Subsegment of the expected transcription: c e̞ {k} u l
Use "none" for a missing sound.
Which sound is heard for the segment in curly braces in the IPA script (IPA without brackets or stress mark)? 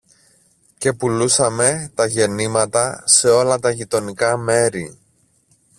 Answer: p